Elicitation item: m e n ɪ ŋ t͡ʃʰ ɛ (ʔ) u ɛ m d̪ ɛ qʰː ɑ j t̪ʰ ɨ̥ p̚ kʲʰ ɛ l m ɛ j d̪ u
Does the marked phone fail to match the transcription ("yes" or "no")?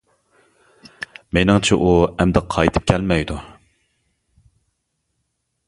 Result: no